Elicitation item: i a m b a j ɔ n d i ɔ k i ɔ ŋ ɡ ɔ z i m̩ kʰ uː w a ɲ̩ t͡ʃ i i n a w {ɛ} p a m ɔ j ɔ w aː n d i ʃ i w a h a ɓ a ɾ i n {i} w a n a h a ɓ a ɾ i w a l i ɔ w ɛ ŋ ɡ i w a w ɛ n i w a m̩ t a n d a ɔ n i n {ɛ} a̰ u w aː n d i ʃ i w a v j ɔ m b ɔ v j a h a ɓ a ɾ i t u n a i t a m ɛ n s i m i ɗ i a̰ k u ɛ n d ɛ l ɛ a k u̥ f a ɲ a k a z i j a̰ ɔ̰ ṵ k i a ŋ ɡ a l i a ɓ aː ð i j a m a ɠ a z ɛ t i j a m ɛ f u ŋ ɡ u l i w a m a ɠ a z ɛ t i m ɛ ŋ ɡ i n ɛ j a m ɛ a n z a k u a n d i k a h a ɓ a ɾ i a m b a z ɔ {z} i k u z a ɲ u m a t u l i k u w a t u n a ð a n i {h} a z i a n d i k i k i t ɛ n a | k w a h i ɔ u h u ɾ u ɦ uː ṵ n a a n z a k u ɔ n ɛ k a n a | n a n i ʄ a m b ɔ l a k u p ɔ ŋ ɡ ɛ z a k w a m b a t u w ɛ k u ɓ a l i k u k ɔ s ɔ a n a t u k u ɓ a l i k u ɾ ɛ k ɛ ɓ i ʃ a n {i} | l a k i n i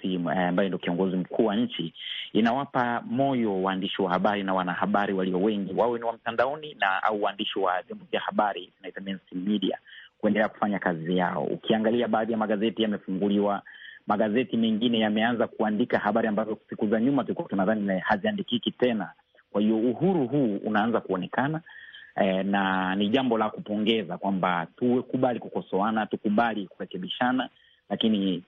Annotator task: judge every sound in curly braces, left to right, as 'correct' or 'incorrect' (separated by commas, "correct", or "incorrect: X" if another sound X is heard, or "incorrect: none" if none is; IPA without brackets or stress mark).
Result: incorrect: a, incorrect: a, incorrect: a, incorrect: s, correct, incorrect: a